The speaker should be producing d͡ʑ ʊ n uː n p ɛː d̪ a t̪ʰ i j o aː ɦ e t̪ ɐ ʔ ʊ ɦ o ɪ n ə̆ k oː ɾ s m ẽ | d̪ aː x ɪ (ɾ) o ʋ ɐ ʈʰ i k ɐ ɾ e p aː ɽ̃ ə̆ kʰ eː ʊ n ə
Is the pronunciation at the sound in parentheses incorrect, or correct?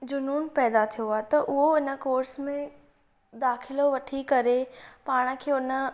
incorrect